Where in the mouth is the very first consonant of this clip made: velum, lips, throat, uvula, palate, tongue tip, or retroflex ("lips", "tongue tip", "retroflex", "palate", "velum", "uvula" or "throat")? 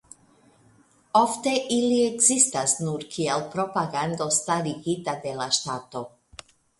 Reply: lips